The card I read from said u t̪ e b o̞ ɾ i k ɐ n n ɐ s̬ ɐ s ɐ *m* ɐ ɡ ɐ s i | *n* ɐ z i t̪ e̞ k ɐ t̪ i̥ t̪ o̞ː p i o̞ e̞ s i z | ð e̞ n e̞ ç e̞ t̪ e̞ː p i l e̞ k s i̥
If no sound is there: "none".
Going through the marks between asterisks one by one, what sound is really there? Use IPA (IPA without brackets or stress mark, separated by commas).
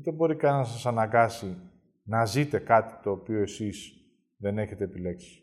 n, n